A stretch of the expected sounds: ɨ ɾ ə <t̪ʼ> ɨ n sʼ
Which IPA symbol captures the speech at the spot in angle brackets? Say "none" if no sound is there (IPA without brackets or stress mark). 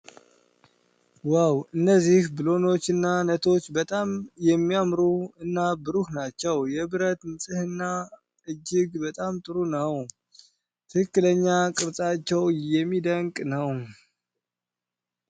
t̪